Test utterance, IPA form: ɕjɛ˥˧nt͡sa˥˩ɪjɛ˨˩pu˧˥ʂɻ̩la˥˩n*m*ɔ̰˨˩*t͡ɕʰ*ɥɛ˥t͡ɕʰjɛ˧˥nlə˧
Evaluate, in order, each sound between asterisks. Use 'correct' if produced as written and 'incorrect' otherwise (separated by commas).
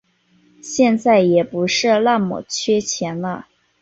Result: correct, correct